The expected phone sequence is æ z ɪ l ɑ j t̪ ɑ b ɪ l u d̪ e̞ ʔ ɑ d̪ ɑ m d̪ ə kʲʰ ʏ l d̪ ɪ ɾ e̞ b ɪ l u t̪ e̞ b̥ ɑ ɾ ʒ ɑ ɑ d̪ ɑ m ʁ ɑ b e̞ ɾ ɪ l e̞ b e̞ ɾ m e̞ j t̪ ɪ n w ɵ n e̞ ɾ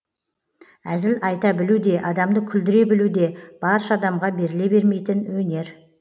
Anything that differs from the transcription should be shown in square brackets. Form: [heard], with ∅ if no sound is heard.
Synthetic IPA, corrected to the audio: æ z ɪ l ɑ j t̪ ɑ b ɪ l u d̪ e̞ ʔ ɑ d̪ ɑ m d̪ ə kʲʰ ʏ l d̪ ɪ ɾ e̞ b ɪ l u [d̪] e̞ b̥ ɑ ɾ [ʃ] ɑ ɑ d̪ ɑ m ʁ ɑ b e̞ ɾ ɪ l e̞ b e̞ ɾ m e̞ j t̪ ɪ n w ɵ n e̞ ɾ